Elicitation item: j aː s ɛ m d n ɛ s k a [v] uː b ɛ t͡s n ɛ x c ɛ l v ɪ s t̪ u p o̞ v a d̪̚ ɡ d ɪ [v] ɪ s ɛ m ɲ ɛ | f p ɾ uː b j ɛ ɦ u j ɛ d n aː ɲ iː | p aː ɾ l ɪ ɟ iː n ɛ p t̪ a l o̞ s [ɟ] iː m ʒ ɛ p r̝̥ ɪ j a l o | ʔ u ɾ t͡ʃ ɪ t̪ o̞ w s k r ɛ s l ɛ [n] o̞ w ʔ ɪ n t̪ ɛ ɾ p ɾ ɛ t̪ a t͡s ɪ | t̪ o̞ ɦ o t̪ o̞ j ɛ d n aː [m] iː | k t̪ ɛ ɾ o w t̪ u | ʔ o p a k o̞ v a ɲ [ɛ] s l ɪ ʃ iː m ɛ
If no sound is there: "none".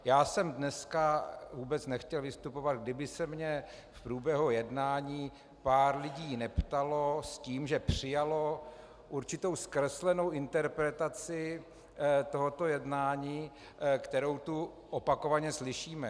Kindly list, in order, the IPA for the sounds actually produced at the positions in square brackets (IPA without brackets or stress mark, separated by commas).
v, b, c, n, ɲ, ɛ